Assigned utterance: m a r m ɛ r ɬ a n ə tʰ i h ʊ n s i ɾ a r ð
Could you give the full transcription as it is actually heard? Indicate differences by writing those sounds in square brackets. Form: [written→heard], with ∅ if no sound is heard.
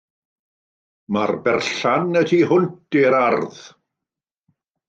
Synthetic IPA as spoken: m a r [m→b] ɛ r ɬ a n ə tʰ i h ʊ n [s→t] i ɾ a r ð